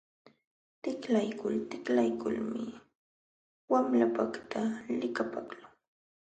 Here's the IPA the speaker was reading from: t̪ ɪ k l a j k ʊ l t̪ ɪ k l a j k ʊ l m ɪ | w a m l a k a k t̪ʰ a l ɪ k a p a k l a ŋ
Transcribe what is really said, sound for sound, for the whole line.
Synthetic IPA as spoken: t̪ ɪ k l a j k ʊ l t̪ ɪ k l a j k ʊ l m ɪ | w a m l a p a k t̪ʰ a l ɪ k a p a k l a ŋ